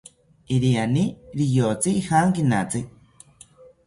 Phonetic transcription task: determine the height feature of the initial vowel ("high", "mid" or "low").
high